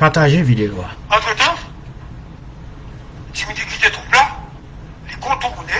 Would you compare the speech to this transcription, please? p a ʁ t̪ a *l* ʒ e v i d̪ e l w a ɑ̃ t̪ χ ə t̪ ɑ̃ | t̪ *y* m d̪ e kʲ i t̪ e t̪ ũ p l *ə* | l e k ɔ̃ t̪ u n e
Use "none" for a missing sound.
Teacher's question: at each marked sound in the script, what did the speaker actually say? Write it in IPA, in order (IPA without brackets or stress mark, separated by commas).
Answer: none, i, a